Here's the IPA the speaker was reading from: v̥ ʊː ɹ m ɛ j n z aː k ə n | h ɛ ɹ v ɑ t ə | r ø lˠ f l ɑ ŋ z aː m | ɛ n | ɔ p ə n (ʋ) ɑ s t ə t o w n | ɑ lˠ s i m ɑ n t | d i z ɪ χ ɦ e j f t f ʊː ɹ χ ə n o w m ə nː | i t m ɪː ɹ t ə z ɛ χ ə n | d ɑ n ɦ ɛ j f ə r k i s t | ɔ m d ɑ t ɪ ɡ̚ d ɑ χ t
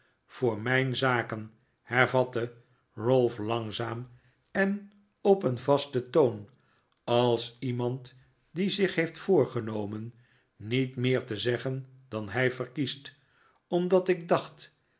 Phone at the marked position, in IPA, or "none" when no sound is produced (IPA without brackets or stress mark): v